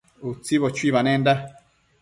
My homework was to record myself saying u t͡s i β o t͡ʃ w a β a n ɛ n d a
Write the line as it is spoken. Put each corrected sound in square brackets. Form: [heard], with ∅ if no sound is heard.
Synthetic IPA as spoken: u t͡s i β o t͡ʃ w [i] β a n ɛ n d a